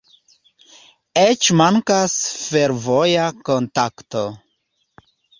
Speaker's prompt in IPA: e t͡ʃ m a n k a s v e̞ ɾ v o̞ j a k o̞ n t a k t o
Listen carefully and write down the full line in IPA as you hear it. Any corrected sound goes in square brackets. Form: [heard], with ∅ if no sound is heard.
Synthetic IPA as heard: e t͡ʃ m a [ŋ] k a s [f] e̞ ɾ v o̞ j a k o̞ n t a k t o